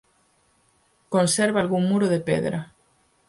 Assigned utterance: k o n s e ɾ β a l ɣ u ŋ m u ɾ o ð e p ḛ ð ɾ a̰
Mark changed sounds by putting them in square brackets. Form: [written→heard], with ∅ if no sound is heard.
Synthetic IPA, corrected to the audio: k o n s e ɾ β a l ɣ u ŋ m u ɾ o ð e p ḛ ð ɾ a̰